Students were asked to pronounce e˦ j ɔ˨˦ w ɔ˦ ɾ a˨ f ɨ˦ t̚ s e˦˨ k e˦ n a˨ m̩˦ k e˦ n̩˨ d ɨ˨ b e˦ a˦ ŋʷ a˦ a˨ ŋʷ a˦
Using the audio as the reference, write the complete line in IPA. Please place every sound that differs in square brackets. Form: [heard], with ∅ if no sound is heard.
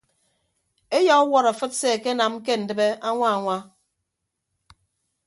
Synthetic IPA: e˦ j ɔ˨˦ w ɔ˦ ɾ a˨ f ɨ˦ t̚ s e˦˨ k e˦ n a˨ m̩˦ k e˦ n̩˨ d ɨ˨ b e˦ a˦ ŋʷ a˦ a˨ ŋʷ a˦